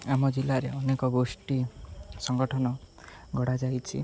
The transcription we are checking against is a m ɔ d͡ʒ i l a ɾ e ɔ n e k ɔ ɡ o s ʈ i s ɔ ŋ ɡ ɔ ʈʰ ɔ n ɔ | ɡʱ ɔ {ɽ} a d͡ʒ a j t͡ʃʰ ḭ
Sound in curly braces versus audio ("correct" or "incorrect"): correct